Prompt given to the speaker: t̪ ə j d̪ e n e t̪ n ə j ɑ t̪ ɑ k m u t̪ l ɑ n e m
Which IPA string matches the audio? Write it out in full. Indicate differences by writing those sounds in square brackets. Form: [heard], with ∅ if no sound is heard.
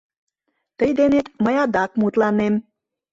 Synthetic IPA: t̪ ə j d̪ e n e t̪ [m] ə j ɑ [d̪] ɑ k m u t̪ l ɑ n e m